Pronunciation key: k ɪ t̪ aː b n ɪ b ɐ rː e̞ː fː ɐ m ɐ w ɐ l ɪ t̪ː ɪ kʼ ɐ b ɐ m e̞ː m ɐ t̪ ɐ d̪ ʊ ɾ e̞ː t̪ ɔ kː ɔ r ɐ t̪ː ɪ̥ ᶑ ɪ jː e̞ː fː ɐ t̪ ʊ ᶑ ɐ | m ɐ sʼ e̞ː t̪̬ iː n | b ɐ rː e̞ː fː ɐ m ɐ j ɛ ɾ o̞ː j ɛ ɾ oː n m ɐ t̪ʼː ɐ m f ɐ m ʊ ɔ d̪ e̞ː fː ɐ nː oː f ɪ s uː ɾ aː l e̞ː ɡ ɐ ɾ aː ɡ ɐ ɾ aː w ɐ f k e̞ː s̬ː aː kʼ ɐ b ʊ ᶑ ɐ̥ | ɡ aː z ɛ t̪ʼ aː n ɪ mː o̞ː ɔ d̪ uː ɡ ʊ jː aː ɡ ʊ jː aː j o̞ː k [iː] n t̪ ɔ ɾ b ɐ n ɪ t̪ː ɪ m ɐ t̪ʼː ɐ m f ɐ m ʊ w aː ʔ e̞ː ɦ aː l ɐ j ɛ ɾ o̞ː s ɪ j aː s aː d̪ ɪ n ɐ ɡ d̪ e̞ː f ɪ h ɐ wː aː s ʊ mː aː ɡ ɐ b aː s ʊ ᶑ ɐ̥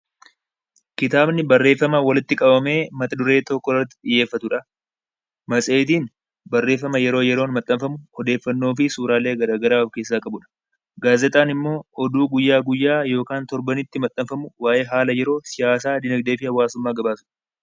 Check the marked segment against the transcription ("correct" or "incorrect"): incorrect